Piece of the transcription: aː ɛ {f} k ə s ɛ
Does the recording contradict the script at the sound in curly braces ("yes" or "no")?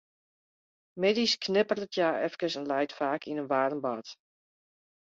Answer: no